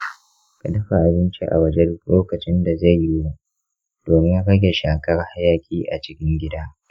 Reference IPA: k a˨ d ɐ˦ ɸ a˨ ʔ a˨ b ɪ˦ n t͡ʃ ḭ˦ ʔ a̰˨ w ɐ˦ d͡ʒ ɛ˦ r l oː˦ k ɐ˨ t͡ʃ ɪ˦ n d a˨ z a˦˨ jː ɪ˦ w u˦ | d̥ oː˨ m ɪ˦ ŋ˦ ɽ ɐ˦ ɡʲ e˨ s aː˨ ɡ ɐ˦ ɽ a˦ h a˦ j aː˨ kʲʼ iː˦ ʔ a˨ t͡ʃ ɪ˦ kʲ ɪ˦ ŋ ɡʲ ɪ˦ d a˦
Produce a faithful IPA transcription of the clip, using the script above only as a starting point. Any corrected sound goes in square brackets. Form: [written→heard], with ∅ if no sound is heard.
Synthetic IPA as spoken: k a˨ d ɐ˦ ɸ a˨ ʔ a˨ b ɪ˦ n t͡ʃ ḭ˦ ʔ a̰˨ w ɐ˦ d͡ʒ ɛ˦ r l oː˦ k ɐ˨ t͡ʃ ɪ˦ n d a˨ z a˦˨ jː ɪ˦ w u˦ | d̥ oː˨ m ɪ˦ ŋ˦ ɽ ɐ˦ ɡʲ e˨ [s→ʃ] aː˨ [ɡ→k] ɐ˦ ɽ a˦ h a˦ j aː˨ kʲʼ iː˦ ʔ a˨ t͡ʃ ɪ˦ kʲ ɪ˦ ŋ ɡʲ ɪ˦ d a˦